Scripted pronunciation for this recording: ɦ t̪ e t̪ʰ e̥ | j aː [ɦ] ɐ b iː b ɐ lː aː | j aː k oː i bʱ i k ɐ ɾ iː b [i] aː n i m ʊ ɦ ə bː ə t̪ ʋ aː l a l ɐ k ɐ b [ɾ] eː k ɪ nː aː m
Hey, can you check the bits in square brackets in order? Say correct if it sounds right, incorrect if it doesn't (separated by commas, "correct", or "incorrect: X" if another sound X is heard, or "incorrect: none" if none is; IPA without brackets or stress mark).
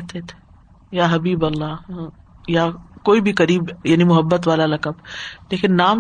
correct, incorrect: j, incorrect: l